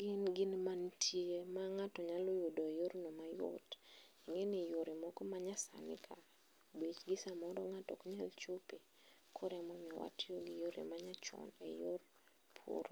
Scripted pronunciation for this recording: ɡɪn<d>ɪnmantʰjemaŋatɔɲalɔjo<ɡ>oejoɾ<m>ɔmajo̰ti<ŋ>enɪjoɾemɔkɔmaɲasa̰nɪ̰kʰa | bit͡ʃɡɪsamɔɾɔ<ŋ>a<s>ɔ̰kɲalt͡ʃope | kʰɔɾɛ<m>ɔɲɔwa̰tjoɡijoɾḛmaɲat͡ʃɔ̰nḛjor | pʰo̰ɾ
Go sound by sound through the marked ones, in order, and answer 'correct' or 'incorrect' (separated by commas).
incorrect, incorrect, incorrect, correct, correct, incorrect, correct